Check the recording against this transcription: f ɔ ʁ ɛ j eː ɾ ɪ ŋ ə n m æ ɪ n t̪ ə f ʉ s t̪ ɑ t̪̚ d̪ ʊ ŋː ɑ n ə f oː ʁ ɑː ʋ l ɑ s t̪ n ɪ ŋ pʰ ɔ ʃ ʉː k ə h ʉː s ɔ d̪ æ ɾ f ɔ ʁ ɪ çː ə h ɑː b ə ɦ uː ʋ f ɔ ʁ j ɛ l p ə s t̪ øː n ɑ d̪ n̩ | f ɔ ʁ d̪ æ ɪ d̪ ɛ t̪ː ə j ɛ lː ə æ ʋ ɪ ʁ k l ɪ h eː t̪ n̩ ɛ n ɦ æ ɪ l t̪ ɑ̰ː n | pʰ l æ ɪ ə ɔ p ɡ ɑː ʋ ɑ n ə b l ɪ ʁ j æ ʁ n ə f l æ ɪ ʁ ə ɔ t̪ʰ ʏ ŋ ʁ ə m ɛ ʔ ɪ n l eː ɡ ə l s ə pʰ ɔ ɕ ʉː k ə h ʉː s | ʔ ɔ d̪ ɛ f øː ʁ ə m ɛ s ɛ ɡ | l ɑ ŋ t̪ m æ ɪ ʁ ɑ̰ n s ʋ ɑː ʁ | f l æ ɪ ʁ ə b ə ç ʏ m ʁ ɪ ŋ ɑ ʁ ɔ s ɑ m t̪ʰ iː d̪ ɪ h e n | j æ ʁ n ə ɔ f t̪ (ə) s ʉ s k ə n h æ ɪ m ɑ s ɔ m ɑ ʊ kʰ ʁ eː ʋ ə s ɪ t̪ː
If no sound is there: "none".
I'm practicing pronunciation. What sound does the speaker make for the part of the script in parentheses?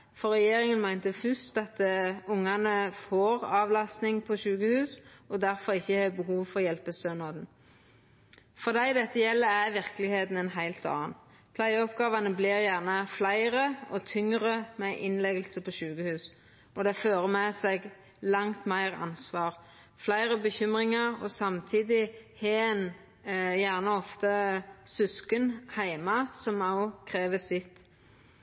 ə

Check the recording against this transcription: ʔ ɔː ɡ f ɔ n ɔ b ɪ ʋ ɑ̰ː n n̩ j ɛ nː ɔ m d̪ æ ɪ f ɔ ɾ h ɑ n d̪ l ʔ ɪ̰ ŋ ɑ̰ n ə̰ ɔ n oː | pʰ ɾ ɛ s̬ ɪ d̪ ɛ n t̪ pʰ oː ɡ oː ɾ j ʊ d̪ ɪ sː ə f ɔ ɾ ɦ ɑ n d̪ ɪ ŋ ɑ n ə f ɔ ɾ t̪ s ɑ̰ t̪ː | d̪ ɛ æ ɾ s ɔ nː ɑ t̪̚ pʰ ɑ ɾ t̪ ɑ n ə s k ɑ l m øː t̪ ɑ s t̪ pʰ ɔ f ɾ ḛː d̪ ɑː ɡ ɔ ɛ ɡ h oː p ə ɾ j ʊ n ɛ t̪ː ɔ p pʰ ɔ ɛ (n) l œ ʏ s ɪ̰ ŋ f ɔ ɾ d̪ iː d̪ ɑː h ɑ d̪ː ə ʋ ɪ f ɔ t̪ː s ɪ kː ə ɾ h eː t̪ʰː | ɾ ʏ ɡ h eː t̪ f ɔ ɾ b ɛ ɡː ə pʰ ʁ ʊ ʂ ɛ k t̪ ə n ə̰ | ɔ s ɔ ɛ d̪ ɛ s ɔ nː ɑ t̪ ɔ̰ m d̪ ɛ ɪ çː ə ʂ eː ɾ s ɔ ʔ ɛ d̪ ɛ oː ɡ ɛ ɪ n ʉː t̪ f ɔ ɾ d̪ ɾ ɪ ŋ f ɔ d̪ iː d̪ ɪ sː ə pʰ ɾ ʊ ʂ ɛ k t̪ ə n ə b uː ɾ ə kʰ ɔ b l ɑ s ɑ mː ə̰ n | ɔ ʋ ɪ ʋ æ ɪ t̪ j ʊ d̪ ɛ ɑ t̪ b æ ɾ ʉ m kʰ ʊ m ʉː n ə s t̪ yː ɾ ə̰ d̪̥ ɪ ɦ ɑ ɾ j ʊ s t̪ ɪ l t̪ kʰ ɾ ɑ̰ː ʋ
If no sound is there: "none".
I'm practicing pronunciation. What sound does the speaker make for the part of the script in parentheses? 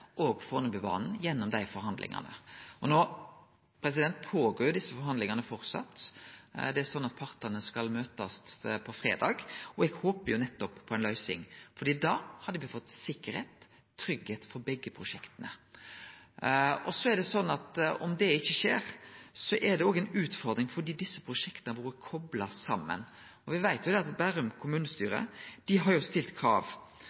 n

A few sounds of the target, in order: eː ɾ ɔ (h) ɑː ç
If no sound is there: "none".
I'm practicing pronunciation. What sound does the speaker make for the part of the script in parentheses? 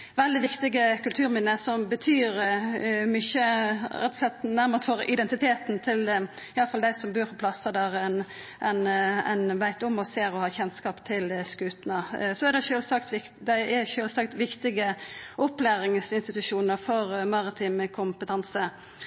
h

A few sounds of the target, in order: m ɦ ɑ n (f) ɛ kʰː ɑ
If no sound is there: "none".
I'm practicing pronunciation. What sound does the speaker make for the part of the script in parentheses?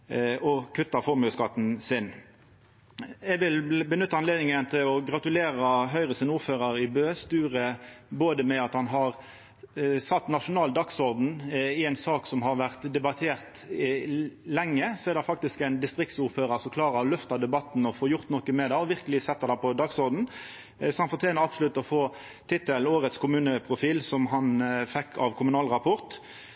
f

